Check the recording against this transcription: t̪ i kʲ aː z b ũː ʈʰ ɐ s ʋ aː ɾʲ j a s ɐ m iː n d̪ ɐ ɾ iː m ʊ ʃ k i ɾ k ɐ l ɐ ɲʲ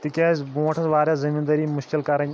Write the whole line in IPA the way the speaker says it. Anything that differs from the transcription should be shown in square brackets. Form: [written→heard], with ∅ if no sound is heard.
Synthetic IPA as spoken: t̪ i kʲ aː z b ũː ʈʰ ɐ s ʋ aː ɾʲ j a [s→z] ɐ m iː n d̪ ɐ ɾ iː m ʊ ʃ k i [ɾ→l] k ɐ [l→ɾ] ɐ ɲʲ